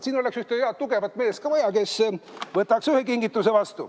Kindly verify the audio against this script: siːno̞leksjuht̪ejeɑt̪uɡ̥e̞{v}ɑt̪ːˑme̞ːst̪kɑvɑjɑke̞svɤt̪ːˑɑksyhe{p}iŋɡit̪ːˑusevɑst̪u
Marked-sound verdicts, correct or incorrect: correct, incorrect: k

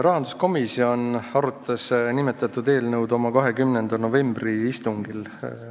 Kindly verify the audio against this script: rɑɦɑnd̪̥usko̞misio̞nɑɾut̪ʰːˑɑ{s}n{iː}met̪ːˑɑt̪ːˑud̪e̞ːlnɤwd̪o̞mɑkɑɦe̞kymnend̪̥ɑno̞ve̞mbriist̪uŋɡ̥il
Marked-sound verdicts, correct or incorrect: correct, incorrect: i

